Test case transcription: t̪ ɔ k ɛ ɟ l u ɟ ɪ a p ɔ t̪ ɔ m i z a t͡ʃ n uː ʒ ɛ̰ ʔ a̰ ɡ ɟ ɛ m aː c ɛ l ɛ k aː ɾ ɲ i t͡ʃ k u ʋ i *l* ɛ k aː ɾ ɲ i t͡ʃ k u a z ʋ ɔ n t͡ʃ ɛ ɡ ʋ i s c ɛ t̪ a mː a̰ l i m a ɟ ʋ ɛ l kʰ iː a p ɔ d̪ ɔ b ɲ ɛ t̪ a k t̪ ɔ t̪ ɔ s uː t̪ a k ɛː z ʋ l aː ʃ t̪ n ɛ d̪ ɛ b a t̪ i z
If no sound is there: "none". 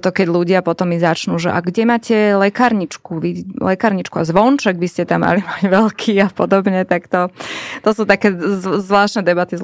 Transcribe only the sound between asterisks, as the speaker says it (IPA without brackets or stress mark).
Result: l